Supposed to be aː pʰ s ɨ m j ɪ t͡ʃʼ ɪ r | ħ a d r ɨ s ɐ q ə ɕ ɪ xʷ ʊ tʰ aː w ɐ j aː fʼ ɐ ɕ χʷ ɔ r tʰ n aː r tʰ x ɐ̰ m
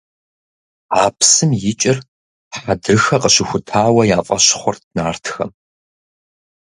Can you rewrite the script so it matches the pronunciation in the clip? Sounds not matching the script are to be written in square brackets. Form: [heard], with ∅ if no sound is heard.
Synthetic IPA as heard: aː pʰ s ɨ m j ɪ t͡ʃʼ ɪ r | ħ a d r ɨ [x] ɐ q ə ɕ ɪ xʷ ʊ tʰ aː w ɐ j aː fʼ ɐ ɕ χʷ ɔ r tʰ n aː r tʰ x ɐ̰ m